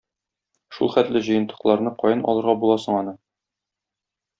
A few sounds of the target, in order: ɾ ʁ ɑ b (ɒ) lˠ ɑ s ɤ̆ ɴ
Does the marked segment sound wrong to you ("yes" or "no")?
yes